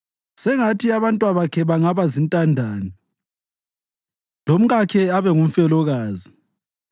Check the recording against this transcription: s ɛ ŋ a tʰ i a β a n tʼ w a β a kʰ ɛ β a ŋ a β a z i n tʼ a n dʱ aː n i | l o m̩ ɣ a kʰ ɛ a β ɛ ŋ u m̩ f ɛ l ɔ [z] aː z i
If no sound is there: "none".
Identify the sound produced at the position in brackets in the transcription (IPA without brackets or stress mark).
ɣ